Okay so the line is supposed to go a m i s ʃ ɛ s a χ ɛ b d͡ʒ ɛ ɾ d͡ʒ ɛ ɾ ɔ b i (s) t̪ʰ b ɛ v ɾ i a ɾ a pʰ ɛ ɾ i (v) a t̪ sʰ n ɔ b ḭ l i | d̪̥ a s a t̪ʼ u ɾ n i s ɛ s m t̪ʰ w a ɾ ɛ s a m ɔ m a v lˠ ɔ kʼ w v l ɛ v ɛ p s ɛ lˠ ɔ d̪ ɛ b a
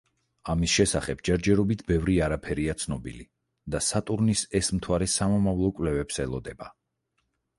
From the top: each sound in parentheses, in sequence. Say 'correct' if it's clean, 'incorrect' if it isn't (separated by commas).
incorrect, incorrect